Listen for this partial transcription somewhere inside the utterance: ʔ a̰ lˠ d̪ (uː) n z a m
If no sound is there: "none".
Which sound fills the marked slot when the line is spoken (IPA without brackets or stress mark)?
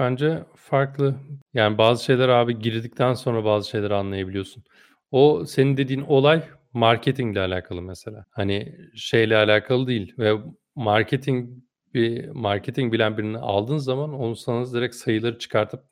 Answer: ɯː